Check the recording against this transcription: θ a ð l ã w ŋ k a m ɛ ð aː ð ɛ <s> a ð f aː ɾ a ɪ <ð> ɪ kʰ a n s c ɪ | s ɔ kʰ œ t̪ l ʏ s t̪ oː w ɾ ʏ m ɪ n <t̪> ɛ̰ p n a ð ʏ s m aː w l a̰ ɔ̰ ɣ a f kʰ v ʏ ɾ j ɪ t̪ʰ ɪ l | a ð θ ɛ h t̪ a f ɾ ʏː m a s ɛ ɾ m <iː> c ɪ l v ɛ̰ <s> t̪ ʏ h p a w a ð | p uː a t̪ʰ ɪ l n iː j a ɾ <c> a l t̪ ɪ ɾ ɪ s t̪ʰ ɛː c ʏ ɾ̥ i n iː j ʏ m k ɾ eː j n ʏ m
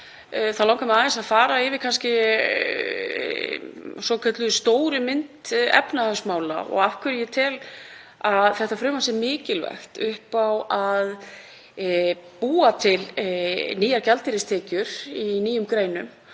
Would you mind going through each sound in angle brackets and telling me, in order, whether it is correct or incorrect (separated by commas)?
correct, incorrect, correct, incorrect, incorrect, correct